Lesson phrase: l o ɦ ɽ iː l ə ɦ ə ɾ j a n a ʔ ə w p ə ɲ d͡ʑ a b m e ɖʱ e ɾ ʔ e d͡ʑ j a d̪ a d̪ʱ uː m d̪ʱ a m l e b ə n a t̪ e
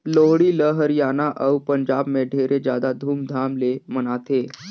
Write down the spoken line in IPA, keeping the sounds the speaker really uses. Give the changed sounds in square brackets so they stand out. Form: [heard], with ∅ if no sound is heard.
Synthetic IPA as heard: l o ɦ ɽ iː l ə ɦ ə ɾ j a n a ʔ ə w p ə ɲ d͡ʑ a b m e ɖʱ e ɾ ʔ e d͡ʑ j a d̪ a d̪ʱ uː m d̪ʱ a m l e [m] ə n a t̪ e